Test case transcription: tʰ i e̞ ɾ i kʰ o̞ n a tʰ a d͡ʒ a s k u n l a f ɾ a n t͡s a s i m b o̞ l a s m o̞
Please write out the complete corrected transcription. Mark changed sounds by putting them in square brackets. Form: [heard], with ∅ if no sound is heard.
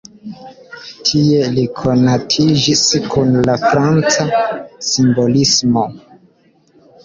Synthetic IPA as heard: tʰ i e̞ [l] i kʰ o̞ n a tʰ [i] d͡ʒ [i] s k u n l a f ɾ a n t͡s a s i m b o̞ l [i] s m o̞